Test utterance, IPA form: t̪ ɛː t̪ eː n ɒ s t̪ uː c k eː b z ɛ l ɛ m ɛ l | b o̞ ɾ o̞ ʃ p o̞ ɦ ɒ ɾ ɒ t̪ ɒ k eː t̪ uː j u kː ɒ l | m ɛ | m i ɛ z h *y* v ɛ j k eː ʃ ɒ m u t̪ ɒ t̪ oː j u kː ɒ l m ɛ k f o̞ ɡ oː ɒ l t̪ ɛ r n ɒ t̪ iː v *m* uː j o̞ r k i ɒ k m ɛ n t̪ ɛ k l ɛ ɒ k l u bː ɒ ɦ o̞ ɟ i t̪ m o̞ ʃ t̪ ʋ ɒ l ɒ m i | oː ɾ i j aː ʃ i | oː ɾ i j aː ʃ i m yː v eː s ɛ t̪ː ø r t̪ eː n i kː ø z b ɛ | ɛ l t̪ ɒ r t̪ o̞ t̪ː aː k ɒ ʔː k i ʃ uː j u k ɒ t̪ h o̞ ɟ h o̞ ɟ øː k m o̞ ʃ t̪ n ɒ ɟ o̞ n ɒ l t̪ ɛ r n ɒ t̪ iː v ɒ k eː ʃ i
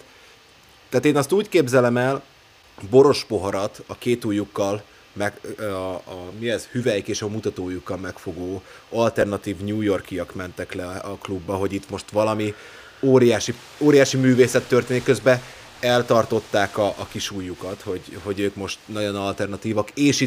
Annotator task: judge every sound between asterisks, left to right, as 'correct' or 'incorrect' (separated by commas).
correct, incorrect